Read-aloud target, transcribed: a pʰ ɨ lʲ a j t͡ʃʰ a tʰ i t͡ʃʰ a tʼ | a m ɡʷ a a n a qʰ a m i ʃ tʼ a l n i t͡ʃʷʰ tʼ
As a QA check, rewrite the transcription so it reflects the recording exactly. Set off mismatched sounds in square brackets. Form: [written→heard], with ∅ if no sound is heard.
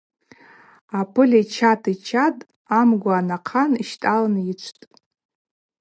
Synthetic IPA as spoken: a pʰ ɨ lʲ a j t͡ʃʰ a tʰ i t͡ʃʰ a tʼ | a m ɡʷ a a n a qʰ a [m→n] i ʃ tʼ a l n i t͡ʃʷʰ tʼ